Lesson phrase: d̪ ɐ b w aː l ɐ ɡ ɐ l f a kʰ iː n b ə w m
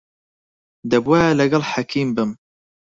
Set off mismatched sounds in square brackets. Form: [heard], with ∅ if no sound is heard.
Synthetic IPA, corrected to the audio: d̪ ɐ b w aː l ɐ ɡ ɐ l [ħ] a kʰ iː [m] b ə [∅] m